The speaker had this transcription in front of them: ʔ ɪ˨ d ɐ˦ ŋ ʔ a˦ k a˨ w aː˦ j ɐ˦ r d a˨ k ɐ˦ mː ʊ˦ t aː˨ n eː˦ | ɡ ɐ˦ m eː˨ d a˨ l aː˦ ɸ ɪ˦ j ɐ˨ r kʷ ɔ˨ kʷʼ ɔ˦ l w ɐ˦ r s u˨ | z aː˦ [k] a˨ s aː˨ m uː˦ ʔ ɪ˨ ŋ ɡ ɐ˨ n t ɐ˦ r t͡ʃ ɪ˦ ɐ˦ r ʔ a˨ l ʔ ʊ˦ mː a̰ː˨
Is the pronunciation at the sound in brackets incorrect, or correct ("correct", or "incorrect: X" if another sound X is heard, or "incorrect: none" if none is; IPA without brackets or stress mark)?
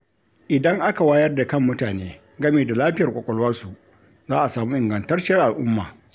incorrect: ʔ